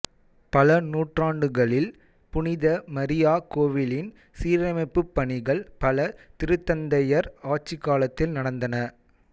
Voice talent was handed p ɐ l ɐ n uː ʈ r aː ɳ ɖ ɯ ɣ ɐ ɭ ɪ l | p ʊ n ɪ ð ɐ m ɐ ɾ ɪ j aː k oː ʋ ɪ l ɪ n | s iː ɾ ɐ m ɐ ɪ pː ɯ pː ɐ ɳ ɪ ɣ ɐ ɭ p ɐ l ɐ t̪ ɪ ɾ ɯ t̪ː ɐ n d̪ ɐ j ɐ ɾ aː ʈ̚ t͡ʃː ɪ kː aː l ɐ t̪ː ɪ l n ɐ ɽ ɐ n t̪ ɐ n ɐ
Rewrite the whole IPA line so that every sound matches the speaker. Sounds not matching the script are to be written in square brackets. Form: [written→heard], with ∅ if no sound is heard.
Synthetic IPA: p ɐ l ɐ n uː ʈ r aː ɳ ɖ ɯ ɣ ɐ ɭ ɪ l | p ʊ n ɪ ð ɐ m ɐ ɾ ɪ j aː k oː ʋ ɪ l ɪ n | s iː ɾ ɐ m ɐ ɪ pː ɯ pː ɐ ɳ ɪ ɣ ɐ ɭ p ɐ l ɐ t̪ ɪ ɾ ɯ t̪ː ɐ n d̪ ɐ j ɐ ɾ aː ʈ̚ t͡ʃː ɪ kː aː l ɐ t̪ː ɪ l n ɐ ɽ ɐ n [t̪→d̪] ɐ n ɐ